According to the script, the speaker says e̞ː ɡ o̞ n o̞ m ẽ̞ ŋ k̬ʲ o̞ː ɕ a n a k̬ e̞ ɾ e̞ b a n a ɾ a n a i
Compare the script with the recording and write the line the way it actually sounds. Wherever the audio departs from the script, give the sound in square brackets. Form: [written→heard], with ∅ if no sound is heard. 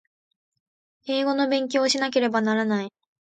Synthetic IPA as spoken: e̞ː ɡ o̞ n o̞ [m→b] ẽ̞ ŋ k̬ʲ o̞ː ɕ [a→i] n a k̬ e̞ ɾ e̞ b a n a ɾ a n a i

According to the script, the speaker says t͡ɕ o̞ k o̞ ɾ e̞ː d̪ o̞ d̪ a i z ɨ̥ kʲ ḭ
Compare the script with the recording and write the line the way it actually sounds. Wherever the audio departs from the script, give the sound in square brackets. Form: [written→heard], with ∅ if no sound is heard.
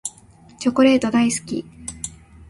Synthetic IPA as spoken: t͡ɕ o̞ k o̞ ɾ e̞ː [d̪→t̪] o̞ d̪ a i [z→s] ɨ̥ kʲ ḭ

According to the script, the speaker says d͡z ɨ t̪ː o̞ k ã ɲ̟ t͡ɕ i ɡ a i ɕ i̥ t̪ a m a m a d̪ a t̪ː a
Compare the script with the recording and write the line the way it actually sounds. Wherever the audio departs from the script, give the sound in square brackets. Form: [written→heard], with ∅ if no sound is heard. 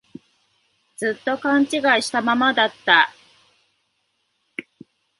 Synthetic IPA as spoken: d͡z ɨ t̪ː o̞ k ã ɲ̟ t͡ɕ i ɡ a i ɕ i̥ t̪ a m a m a d̪ a t̪ː a

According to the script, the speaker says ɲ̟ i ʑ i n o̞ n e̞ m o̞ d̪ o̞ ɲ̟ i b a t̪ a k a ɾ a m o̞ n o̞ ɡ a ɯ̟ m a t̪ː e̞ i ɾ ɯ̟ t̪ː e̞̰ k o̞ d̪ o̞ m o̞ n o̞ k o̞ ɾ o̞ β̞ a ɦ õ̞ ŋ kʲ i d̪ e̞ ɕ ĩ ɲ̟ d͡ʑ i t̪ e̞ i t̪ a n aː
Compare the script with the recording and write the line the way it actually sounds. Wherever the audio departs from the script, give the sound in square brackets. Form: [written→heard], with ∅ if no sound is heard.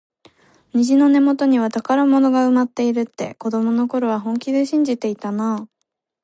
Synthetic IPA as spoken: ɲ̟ i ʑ i n o̞ n e̞ m o̞ [d̪→t̪] o̞ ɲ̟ i [b→β] a t̪ a k a ɾ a m o̞ n o̞ ɡ a ɯ̟ m a t̪ː e̞ i ɾ ɯ̟ t̪ː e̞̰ k o̞ d̪ o̞ m o̞ n o̞ k o̞ ɾ o̞ β̞ a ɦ õ̞ ŋ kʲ i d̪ e̞ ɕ ĩ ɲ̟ d͡ʑ i t̪ e̞ i t̪ a n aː

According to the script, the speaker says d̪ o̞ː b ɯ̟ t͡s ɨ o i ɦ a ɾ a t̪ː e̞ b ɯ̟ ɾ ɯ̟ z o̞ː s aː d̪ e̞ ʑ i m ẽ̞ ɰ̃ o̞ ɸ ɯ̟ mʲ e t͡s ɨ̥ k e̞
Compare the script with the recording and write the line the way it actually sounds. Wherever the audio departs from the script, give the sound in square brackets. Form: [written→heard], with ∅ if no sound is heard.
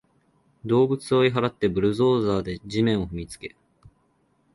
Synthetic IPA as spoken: d̪ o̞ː b ɯ̟ t͡s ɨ o i ɦ a ɾ a t̪ː e̞ b ɯ̟ ɾ ɯ̟ z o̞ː [s→z] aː d̪ e̞ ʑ i m ẽ̞ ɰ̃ o̞ ɸ ɯ̟ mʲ [e→i] t͡s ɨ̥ k e̞

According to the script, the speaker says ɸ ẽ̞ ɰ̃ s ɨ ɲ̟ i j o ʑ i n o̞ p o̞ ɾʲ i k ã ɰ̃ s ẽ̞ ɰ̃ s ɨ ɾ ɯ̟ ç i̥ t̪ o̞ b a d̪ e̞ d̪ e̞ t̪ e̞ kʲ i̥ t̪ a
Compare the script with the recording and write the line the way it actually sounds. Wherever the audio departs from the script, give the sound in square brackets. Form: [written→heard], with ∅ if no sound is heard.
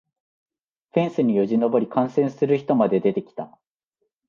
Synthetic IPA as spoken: ɸ ẽ̞ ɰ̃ s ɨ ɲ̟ i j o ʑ i n o̞ [p→b] o̞ ɾʲ i k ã ɰ̃ s ẽ̞ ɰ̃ s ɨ ɾ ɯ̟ ç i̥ t̪ o̞ [b→m] a d̪ e̞ d̪ e̞ t̪ e̞ kʲ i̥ t̪ a

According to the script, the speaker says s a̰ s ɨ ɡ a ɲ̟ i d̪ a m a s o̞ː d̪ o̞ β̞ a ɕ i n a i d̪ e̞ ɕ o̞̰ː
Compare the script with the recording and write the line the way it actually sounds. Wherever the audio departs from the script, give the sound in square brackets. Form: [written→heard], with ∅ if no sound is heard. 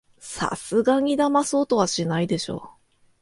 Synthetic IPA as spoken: s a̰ s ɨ ɡ a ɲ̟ i d̪ a m a s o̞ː [d̪→t̪] o̞ β̞ a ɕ i n a i d̪ e̞ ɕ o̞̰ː

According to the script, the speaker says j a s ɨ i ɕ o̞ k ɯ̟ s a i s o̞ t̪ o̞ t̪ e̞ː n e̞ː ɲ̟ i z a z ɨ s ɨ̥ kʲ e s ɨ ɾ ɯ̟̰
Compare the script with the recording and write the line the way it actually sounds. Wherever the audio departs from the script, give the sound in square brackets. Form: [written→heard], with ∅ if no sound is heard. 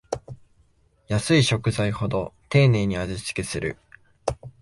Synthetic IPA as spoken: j a s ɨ i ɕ o̞ k ɯ̟ [s→z] a i [s→h] o̞ [t̪→d̪] o̞ t̪ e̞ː n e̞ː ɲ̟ i [z→∅] a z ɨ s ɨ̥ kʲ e s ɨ ɾ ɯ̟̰

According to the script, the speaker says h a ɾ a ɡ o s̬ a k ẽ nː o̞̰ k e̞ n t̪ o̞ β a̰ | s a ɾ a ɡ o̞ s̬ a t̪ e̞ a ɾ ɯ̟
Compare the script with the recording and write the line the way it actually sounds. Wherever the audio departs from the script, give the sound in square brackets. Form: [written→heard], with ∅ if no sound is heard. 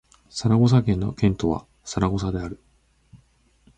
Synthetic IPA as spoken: [h→s] a ɾ a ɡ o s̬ a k ẽ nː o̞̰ k [e̞→ẽ̞] n t̪ o̞ β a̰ | s a ɾ a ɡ o̞ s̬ a [t̪→d̪] e̞ a ɾ ɯ̟

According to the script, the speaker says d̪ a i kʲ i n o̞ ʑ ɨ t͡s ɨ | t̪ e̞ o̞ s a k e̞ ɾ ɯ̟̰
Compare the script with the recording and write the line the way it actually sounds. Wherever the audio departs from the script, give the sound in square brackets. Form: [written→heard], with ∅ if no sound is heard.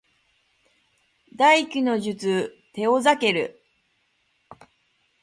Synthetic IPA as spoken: d̪ a i kʲ i n o̞ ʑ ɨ t͡s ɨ | t̪ e̞ o̞ [s→z] a k e̞ ɾ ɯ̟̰

